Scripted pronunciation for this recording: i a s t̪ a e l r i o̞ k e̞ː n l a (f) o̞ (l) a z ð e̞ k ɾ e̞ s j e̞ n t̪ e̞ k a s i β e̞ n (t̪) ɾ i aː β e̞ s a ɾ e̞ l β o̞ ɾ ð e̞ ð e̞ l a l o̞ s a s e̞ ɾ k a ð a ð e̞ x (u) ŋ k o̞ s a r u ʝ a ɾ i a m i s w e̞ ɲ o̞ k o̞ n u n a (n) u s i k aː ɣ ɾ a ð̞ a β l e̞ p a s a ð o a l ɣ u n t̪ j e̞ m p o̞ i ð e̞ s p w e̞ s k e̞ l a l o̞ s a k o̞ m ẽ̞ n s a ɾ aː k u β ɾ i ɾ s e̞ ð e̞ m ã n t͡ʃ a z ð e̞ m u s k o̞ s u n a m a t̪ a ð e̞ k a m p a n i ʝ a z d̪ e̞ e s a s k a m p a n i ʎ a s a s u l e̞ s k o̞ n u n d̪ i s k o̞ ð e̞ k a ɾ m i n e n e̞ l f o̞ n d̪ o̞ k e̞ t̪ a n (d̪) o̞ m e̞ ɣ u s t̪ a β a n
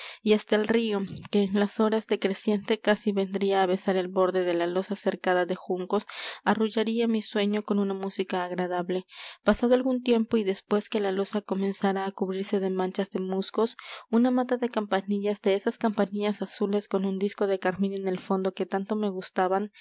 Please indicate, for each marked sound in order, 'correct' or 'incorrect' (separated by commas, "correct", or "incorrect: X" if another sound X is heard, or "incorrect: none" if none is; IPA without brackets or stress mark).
incorrect: s, incorrect: ɾ, incorrect: d̪, correct, incorrect: m, incorrect: t̪